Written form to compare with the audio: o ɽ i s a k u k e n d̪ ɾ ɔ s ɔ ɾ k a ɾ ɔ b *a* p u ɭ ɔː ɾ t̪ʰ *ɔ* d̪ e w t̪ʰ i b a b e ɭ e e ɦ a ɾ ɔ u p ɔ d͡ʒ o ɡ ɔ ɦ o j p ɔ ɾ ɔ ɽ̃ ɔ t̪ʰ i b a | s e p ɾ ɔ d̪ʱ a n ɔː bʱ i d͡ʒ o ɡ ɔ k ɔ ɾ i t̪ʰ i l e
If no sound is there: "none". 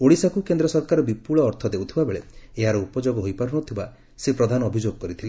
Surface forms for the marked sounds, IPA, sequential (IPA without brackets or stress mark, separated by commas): i, ɔ